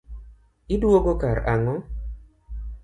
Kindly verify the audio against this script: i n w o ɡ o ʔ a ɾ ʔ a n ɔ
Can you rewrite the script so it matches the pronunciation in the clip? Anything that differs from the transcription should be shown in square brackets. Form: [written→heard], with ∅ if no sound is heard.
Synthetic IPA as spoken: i [n→d] w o ɡ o [ʔ→k] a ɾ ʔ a [n→ŋ] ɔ

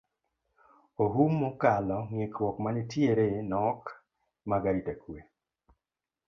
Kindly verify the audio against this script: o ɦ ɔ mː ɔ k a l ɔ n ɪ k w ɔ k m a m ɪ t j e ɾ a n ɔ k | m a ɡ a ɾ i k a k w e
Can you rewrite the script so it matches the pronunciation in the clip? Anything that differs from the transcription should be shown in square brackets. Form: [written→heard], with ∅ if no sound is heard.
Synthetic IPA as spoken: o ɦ [ɔ→u] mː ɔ k a l ɔ [n→ŋ] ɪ k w ɔ k m a [m→n] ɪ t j e ɾ [a→e] n ɔ k | m a ɡ a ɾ i [k→t] a k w e

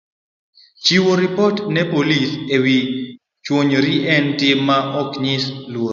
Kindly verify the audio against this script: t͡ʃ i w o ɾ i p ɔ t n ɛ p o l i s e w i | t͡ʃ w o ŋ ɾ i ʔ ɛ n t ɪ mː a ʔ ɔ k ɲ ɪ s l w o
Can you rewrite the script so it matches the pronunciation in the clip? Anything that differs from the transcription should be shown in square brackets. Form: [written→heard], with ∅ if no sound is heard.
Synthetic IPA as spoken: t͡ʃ i w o ɾ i p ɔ t n ɛ p o l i s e w i | t͡ʃ w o [ŋ→ɲ] ɾ i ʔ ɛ n t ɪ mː a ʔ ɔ k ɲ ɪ s l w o

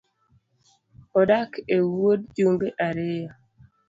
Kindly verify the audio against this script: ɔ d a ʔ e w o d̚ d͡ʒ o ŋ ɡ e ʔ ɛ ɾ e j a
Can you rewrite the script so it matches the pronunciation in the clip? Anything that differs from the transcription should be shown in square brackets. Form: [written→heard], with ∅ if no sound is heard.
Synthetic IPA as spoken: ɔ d a [ʔ→k] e w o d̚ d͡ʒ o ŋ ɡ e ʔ [ɛ→a] ɾ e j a

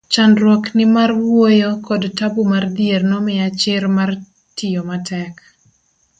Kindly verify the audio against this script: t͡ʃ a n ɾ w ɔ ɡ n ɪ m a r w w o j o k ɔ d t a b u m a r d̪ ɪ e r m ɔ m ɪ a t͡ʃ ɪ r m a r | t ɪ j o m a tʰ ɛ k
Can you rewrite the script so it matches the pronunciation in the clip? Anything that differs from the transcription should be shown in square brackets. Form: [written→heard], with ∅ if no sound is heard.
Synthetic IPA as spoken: t͡ʃ a n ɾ w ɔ [ɡ→k] n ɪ m a r w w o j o k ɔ d t a b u m a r d̪ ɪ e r [m→n] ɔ m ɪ a t͡ʃ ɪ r m a r | t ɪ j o m a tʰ ɛ k

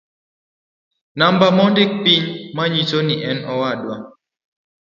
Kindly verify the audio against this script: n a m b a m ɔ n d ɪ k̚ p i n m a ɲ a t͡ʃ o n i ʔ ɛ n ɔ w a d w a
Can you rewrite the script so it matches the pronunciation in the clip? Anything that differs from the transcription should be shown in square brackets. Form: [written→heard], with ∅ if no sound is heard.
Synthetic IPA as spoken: n a m b a m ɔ n d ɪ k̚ p i [n→ɲ] m a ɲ [a→i] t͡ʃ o n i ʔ ɛ n ɔ w a d w a

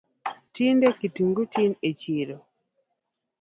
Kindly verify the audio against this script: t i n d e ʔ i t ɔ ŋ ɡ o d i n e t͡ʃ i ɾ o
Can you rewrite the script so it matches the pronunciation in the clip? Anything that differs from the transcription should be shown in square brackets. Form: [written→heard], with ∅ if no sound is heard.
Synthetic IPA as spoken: t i n d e [ʔ→k] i t [ɔ→u] ŋ ɡ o [d→t] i n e t͡ʃ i ɾ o

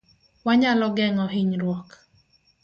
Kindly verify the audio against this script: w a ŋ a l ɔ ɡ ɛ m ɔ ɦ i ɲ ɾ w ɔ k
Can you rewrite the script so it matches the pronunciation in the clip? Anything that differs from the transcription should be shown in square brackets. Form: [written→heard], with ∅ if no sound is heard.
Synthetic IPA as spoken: w a [ŋ→ɲ] a l ɔ ɡ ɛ [m→ŋ] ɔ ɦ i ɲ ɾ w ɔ k

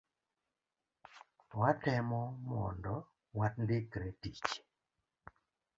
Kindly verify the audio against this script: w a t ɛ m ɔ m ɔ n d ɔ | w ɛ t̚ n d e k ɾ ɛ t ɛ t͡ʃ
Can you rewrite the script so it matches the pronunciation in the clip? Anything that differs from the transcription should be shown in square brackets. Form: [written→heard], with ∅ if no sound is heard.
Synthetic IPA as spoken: w a t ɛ m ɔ m ɔ n d ɔ | w [ɛ→a] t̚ n d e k ɾ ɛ t [ɛ→i] t͡ʃ

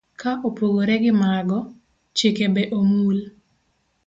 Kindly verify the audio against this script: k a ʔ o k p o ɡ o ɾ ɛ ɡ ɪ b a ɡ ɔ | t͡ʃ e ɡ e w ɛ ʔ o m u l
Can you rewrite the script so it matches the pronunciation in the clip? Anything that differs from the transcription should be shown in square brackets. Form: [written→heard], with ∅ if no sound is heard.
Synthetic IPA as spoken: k a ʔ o [k→∅] p o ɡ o ɾ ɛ ɡ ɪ [b→m] a ɡ ɔ | t͡ʃ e [ɡ→k] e [w→b] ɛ ʔ o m u l

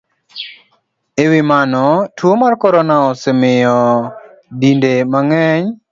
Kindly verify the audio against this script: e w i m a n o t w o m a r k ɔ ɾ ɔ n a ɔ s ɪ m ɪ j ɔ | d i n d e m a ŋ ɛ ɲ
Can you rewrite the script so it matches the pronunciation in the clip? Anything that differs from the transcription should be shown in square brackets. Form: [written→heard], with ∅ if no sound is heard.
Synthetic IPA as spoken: e w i m a n [o→ɔ] t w o m a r k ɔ ɾ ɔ n a ɔ s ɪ m ɪ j ɔ | d i n d e m a ŋ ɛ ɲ

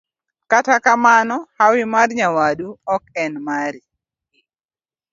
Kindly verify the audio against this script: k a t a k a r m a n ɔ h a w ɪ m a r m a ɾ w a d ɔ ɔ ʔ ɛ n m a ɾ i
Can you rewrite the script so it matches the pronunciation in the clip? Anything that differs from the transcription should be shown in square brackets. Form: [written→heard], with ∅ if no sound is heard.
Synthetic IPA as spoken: k a t a k a [r→∅] m a n ɔ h a w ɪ m a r [m→ɲ] a [ɾ→∅] w a d [ɔ→u] ɔ [ʔ→k] ɛ n m a ɾ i

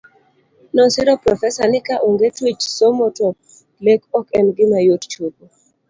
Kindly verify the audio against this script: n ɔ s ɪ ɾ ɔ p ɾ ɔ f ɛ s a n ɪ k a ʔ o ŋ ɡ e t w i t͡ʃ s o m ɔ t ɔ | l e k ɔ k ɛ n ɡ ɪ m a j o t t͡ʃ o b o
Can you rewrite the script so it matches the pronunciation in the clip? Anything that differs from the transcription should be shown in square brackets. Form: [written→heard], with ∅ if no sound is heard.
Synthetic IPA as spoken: n ɔ s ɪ ɾ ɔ p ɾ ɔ f ɛ s a n ɪ k a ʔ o ŋ ɡ e t w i t͡ʃ s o m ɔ t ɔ | l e k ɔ k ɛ n ɡ ɪ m a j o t t͡ʃ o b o

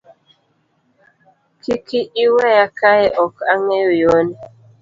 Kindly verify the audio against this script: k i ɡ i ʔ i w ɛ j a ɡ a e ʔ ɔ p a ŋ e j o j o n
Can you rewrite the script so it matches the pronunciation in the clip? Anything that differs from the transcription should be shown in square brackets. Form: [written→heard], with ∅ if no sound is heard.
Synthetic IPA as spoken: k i [ɡ→k] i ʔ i w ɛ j a [ɡ→k] a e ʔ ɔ [p→k] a ŋ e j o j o n

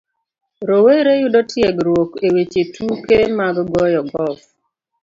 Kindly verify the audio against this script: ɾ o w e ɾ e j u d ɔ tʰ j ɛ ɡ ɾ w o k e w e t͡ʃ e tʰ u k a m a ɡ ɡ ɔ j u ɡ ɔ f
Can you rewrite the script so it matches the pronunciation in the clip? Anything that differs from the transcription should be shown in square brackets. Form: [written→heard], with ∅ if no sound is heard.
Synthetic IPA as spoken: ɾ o w e ɾ e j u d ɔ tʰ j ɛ ɡ ɾ w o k e w e t͡ʃ e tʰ u k [a→e] m a ɡ ɡ ɔ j [u→ɔ] ɡ ɔ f

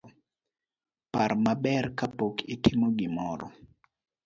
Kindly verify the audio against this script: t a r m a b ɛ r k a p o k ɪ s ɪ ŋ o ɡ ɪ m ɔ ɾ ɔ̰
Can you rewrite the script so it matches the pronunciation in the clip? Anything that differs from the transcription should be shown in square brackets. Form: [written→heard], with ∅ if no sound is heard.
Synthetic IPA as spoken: [t→p] a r m a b ɛ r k a p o k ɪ [s→t] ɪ [ŋ→m] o ɡ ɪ m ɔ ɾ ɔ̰

